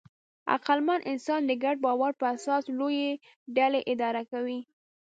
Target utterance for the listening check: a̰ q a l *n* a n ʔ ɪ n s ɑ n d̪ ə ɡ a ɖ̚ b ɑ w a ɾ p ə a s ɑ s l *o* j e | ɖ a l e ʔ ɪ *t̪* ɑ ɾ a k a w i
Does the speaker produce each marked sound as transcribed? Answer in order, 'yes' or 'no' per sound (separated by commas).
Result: no, yes, no